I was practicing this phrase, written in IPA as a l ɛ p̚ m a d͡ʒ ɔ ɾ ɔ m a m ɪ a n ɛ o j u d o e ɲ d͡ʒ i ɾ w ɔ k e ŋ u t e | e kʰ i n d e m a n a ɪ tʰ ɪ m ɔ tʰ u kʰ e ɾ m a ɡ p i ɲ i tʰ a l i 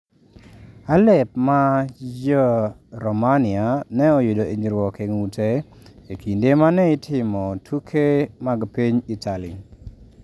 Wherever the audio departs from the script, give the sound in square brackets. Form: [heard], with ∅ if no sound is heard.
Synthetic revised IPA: a l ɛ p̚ m a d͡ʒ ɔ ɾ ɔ m a [n] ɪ a n ɛ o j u d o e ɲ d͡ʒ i ɾ w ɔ k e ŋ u t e | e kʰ i n d e m a n [ɛ] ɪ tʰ ɪ m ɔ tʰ u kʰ e [∅] m a ɡ p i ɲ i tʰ a l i